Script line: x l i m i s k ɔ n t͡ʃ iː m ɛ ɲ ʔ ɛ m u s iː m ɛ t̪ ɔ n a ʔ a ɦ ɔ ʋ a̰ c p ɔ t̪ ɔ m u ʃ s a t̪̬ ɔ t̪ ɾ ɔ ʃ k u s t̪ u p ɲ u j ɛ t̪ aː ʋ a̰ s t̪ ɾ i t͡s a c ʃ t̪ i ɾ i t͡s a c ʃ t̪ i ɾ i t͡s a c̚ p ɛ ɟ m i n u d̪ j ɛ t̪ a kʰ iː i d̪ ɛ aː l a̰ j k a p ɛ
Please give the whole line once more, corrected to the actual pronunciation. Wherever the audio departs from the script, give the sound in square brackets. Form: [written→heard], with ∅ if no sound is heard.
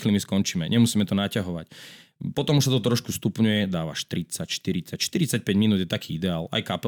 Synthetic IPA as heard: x l i m i s k ɔ n t͡ʃ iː m ɛ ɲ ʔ ɛ m u s iː m ɛ t̪ ɔ n a [ʔ→c] a ɦ ɔ ʋ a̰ c p ɔ t̪ ɔ m u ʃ s a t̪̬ ɔ t̪ ɾ ɔ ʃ k u s t̪ u p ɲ u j ɛ [t̪→d̪] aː ʋ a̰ [s→ʃ] t̪ ɾ i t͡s a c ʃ t̪ i ɾ i t͡s a c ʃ t̪ i ɾ i t͡s a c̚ p ɛ ɟ m i n u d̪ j ɛ t̪ a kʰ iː i d̪ ɛ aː l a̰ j k a p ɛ